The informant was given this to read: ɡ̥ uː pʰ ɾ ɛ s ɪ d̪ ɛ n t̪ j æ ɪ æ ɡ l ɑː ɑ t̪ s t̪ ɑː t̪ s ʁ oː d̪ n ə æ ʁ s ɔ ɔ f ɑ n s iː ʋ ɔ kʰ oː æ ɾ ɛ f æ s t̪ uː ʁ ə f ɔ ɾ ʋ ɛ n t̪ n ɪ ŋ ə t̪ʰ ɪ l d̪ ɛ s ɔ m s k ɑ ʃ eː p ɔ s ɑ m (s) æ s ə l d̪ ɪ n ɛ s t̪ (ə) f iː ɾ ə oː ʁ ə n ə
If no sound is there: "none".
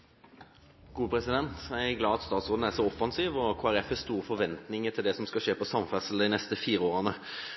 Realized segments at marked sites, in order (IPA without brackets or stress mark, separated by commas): f, ə